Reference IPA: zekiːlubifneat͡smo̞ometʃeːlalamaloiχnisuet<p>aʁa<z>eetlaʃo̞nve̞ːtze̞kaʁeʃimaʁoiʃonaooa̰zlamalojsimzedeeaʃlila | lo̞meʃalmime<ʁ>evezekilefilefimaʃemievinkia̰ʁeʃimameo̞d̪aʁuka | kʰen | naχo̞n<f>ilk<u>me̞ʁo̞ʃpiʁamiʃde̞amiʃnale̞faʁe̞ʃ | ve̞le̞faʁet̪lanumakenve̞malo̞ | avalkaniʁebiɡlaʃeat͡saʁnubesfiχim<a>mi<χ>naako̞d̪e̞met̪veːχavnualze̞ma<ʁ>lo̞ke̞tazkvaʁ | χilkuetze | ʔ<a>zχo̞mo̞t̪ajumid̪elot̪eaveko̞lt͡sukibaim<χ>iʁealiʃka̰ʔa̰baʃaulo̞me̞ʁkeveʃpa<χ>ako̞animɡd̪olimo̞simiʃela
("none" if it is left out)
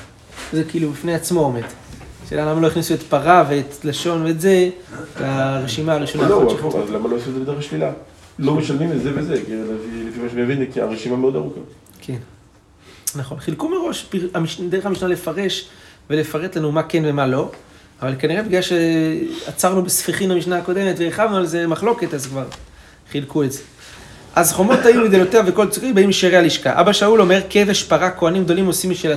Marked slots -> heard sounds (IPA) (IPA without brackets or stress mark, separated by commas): p, v, z, χ, u, a, ʃ, χ, a, ʃ, ʁ